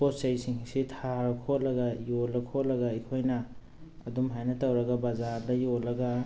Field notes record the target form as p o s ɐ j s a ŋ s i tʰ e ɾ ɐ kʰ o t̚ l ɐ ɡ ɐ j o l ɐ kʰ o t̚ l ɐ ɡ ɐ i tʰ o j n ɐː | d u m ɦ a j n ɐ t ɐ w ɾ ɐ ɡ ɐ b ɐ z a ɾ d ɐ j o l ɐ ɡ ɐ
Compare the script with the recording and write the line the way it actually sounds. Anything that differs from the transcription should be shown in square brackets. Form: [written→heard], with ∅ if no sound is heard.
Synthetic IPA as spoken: p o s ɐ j s [a→i] ŋ s i tʰ [e→a] ɾ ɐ kʰ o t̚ l ɐ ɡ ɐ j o l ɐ kʰ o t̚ l ɐ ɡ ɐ i [tʰ→kʰ] o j n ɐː | d u m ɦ a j n ɐ t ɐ w ɾ ɐ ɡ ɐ b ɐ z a ɾ d ɐ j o l ɐ ɡ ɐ